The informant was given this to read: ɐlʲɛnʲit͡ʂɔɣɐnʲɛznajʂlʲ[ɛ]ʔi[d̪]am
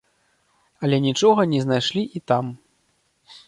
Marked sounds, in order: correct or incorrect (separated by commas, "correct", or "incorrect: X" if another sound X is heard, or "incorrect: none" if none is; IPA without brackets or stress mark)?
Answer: incorrect: i, incorrect: t̪